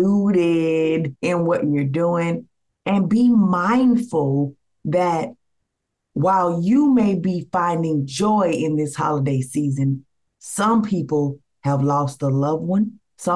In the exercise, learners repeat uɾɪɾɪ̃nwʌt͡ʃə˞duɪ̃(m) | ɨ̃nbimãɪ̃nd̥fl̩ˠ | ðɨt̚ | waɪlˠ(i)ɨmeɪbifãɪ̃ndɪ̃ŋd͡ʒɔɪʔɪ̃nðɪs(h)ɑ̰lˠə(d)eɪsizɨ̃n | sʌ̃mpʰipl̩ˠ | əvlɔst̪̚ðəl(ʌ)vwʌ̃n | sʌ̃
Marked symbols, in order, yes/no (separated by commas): no, no, yes, yes, yes